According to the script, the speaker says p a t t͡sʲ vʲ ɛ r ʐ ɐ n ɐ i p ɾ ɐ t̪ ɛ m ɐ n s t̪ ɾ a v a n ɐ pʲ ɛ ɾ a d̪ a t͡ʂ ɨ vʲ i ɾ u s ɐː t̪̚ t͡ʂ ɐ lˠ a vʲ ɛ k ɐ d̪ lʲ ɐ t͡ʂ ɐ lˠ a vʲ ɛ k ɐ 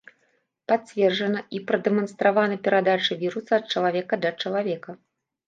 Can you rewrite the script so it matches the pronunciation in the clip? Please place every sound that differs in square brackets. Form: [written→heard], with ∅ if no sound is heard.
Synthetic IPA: p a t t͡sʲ vʲ ɛ r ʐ ɐ n ɐ i p ɾ ɐ [t̪→d̪] ɛ m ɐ n s t̪ ɾ a v a n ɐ pʲ ɛ ɾ a d̪ a t͡ʂ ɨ vʲ i ɾ u s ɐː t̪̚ t͡ʂ ɐ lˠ a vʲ ɛ k ɐ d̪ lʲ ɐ t͡ʂ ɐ lˠ a vʲ ɛ k ɐ